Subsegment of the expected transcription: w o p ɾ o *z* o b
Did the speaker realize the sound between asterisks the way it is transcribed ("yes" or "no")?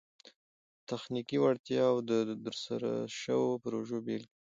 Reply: no